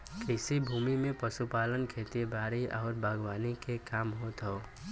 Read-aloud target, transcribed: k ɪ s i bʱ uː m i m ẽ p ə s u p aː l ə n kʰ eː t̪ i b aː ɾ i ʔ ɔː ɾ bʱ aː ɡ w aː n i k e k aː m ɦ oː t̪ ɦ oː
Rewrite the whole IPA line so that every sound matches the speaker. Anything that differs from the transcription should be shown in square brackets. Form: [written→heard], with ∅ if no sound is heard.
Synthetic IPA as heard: k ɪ s i bʱ uː m i m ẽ p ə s u p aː l ə n kʰ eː t̪ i b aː ɾ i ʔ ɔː ɾ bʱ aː ɡ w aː n i k e k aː m ɦ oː t̪ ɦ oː